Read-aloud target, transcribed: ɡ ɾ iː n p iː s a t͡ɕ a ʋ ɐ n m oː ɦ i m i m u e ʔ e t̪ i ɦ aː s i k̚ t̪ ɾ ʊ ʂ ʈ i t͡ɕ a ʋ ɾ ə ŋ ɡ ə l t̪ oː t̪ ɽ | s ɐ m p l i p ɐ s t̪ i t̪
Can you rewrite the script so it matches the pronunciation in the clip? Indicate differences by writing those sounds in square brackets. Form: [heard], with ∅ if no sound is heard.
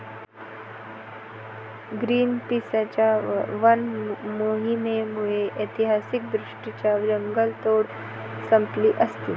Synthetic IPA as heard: ɡ ɾ iː n p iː s a t͡ɕ a ʋ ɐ n m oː ɦ i m [e] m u e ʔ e t̪ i ɦ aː s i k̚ [d̪] ɾ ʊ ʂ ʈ i t͡ɕ a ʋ ɾ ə ŋ ɡ ə l t̪ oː [∅] ɽ | s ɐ m p l i [ʔ] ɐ s t̪ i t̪